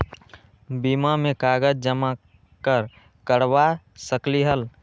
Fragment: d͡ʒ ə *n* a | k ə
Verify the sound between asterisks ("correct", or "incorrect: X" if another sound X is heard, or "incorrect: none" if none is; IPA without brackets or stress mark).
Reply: incorrect: m